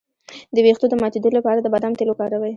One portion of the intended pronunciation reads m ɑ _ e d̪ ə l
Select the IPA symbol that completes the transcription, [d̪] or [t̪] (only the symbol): t̪